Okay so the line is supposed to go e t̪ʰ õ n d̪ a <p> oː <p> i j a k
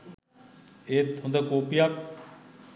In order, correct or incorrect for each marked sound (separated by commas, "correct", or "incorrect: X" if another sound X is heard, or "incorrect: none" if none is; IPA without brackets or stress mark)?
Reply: incorrect: k, correct